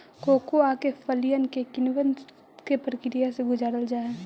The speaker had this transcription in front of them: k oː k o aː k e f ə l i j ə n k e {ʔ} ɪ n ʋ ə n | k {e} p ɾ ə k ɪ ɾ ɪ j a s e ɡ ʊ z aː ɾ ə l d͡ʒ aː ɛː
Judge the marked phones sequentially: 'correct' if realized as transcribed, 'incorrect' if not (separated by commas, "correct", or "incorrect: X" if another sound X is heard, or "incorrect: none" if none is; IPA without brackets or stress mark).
incorrect: k, correct